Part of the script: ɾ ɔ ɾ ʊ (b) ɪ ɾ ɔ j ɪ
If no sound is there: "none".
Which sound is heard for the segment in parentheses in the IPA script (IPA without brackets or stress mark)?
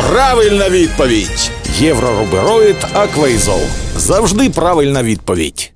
b